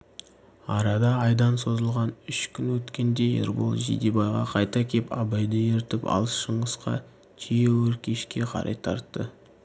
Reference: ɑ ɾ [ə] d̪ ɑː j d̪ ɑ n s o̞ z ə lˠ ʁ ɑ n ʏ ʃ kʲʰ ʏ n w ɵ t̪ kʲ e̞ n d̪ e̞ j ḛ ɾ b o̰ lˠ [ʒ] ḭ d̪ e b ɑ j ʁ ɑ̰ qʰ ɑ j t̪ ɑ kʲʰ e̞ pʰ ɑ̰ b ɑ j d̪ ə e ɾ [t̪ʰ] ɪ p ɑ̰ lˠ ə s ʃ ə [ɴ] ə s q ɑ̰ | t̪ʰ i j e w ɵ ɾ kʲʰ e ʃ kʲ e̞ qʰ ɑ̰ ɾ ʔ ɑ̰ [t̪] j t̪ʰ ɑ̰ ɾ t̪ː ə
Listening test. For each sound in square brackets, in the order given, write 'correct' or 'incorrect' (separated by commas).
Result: incorrect, correct, incorrect, correct, incorrect